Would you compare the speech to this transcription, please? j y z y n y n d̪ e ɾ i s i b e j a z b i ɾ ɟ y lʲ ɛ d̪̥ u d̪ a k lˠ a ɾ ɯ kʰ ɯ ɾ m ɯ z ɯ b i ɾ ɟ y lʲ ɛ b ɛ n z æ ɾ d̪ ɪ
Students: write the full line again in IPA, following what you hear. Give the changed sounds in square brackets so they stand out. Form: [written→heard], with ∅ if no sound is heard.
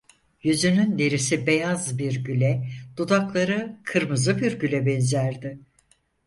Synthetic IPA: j y z y n y n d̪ e ɾ i s i b e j a z b i ɾ ɟ y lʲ ɛ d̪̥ u d̪ a k lˠ a ɾ ɯ kʰ ɯ ɾ m ɯ z ɯ b i ɾ ɟ y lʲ ɛ b ɛ n z æ ɾ d̪ ɪ